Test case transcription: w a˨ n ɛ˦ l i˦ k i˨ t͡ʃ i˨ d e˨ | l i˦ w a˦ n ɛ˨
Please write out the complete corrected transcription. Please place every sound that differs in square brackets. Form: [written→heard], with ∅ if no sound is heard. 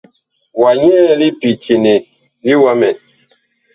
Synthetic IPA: w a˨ [n→ɲ] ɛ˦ l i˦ [k→p] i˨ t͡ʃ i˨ [d→n] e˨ | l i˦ w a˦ [n→m] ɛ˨